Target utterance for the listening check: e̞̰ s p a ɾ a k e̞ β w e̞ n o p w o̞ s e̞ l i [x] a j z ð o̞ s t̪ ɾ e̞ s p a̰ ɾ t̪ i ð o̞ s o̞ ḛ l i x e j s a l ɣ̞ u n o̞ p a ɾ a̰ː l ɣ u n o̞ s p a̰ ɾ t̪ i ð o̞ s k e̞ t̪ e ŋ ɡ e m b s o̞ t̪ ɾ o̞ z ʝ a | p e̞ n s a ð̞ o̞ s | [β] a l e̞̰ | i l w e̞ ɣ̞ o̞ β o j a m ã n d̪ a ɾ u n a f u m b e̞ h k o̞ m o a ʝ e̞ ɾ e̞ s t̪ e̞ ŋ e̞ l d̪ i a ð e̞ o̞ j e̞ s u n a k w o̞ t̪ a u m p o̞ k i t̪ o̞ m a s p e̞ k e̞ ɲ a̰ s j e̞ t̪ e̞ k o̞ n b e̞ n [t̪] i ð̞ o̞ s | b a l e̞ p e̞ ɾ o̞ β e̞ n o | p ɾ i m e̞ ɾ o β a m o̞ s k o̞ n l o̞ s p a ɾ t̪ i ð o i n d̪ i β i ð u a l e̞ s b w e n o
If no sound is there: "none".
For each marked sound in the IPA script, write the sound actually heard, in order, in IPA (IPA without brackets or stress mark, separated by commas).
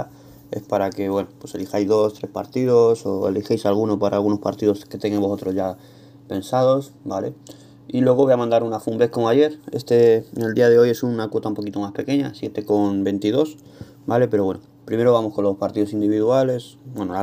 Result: x, b, t̪